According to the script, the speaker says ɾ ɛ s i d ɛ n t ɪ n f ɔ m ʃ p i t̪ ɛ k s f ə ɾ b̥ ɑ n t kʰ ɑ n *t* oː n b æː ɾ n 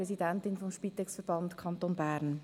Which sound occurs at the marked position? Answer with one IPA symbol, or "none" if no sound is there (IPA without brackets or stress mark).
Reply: t